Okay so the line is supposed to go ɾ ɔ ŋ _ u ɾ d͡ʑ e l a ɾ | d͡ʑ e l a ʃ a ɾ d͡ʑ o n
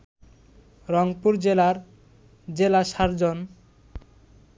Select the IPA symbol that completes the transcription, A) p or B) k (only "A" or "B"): A